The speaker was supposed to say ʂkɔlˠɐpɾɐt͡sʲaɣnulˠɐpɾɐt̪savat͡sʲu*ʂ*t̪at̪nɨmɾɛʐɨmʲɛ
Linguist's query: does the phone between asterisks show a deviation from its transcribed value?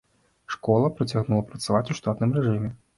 no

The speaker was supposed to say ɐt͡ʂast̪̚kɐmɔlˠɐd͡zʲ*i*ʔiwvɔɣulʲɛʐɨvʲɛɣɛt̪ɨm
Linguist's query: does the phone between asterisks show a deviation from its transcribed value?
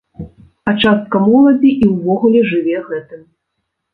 no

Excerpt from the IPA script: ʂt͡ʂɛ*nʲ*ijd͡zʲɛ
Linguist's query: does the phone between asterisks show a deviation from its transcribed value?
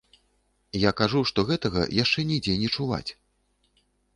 no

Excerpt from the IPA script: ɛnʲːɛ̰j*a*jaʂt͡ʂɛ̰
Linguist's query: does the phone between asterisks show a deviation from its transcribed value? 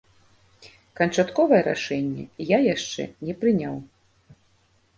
no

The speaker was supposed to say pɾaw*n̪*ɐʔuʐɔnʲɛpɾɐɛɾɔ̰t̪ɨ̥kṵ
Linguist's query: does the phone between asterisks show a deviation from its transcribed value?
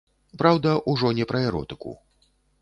yes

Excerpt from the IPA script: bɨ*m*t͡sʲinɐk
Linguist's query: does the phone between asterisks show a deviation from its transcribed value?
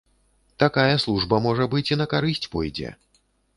yes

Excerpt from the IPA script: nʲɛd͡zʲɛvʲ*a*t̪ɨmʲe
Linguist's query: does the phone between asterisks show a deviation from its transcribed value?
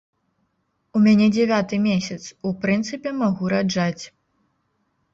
no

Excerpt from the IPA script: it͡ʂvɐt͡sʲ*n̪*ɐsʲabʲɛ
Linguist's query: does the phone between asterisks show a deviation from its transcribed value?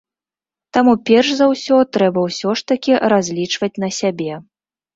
no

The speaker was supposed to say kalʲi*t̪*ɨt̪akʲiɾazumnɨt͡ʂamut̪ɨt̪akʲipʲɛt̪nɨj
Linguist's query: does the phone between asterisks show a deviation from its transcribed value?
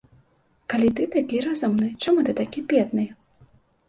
no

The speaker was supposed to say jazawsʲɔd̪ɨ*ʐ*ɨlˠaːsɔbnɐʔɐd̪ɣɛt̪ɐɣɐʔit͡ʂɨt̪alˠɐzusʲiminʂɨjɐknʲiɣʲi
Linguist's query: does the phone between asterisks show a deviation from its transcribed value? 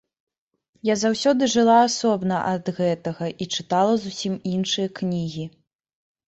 no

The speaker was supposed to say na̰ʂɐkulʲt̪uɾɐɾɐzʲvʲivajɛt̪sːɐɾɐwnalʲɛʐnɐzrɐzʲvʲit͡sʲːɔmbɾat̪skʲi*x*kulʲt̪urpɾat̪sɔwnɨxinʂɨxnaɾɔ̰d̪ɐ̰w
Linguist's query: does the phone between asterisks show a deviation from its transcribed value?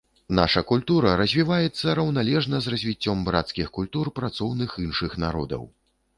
no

